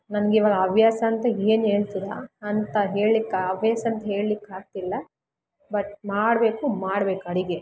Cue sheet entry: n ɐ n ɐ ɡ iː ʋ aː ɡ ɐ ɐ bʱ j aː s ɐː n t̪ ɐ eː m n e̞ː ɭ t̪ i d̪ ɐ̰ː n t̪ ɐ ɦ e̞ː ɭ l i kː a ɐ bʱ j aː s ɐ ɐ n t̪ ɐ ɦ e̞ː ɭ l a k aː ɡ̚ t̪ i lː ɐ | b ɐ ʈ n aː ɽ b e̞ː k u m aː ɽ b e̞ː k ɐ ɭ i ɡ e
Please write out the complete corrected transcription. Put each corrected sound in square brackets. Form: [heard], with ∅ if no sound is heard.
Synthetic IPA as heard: n ɐ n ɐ ɡ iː ʋ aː ɡ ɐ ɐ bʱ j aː s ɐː n t̪ ɐ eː [∅] n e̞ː ɭ t̪ i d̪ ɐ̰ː n t̪ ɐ ɦ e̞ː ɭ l i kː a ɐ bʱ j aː s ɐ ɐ n t̪ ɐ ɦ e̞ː ɭ l [i] k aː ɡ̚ t̪ i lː ɐ | b ɐ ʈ [m] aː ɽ b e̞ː k u m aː ɽ b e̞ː k ɐ [ɽ] i ɡ e